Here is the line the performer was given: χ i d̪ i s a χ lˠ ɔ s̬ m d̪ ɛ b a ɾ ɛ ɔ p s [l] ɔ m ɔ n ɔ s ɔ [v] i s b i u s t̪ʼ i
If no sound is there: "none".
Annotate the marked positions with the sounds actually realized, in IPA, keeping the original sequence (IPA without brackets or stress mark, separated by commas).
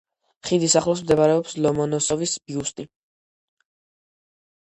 l, v